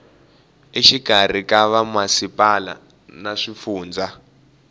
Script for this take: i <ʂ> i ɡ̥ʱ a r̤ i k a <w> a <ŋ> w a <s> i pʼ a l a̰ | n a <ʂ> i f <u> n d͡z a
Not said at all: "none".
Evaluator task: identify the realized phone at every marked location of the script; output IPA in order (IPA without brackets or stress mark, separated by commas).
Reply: ʃ, β, m, s, ʂ, uː